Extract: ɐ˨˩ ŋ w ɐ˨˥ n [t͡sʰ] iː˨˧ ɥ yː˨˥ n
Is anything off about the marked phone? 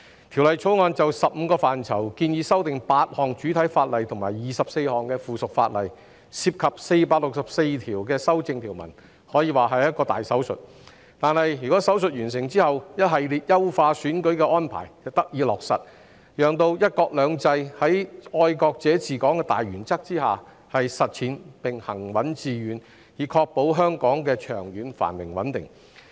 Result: yes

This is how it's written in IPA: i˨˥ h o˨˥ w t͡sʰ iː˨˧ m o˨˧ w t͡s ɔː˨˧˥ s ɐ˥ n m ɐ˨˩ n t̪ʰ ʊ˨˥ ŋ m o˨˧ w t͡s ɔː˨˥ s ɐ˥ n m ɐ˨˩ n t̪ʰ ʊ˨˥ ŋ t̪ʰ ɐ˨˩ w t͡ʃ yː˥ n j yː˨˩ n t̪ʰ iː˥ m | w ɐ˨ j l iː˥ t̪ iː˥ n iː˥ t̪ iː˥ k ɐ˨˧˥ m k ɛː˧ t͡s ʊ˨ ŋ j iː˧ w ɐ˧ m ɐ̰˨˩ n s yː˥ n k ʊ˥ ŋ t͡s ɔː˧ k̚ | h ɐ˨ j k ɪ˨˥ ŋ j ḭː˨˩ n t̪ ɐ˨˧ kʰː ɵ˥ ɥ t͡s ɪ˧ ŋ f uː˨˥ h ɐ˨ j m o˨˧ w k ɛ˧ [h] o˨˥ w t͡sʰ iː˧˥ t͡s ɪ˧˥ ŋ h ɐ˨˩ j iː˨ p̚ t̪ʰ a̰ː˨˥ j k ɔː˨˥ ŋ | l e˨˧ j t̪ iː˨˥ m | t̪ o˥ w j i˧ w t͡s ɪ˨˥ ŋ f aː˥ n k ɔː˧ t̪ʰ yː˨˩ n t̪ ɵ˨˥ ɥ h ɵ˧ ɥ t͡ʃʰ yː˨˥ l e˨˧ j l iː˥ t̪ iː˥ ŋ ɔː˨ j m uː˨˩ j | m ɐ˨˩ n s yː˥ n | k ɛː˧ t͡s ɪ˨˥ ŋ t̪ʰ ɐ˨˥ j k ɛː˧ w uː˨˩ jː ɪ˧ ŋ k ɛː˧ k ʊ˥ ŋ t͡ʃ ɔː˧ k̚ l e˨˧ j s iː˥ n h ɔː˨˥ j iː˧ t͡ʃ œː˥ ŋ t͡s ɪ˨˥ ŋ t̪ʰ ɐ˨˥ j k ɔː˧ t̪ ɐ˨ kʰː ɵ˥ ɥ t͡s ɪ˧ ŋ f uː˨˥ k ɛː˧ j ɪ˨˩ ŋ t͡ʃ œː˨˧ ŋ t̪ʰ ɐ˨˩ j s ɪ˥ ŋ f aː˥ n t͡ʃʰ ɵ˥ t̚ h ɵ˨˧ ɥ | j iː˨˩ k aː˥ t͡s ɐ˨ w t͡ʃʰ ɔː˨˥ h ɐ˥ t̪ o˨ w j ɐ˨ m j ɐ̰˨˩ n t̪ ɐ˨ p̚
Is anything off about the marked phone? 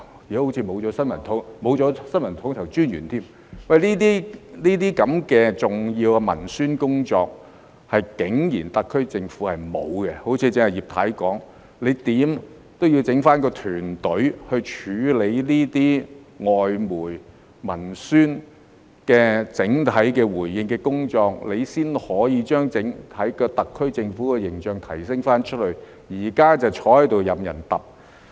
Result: no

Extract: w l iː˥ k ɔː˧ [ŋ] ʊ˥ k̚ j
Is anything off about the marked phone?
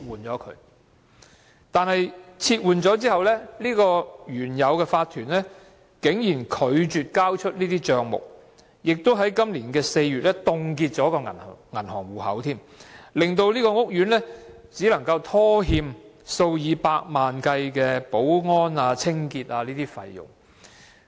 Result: no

